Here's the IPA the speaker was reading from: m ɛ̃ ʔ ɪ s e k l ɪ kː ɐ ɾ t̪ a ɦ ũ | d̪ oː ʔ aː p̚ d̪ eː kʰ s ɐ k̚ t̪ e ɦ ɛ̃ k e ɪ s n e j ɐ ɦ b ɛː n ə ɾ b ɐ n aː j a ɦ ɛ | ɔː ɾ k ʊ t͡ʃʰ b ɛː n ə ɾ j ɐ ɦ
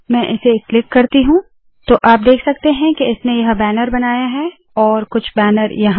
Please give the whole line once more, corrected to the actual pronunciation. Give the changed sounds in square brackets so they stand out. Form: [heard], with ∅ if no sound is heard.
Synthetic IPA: m ɛ̃ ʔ ɪ s e k l ɪ kː ɐ ɾ t̪ [i] ɦ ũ | [t̪] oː ʔ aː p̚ d̪ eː kʰ s ɐ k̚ t̪ e ɦ ɛ̃ k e ɪ s n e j ɐ ɦ b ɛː n ə ɾ b ɐ n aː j a ɦ ɛ | ɔː ɾ k ʊ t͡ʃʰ b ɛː n ə ɾ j ɐ ɦ